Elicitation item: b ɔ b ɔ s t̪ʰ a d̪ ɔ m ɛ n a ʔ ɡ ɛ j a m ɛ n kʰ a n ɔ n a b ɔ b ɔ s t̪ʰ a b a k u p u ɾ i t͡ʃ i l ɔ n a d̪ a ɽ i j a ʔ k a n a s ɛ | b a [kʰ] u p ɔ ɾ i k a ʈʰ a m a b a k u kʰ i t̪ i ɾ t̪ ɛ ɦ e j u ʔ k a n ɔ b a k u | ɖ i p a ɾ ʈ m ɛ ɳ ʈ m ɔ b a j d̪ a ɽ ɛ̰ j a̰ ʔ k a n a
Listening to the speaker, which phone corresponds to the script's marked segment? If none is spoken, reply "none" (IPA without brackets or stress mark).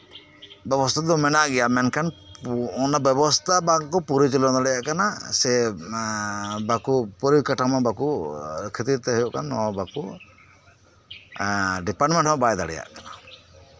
k